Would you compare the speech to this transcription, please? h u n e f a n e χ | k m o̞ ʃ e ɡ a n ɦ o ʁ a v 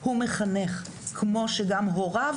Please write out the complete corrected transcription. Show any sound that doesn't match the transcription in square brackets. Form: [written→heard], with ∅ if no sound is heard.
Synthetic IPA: h u [n→m] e [f→χ] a n e χ | k m o̞ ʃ e ɡ a [n→m] ɦ o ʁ a v